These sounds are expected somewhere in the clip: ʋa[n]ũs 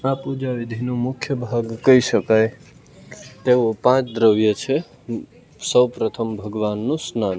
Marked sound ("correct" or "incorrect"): incorrect